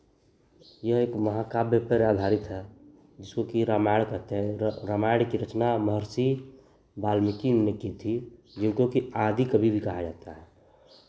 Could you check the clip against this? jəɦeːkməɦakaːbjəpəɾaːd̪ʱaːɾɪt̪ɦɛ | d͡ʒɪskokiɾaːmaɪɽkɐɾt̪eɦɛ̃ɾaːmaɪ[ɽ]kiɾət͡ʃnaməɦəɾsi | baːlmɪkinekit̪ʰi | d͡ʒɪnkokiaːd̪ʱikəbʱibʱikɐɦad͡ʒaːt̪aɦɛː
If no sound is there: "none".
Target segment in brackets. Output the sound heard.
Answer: ɽ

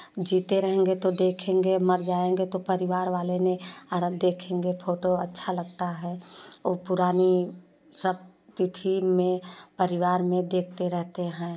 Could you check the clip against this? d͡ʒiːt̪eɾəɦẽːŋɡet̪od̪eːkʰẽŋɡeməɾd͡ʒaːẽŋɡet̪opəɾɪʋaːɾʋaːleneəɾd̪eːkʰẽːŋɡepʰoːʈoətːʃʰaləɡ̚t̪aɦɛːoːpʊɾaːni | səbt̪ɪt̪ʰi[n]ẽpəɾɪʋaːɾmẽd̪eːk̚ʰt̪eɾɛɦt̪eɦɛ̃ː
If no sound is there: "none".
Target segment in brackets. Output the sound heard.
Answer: m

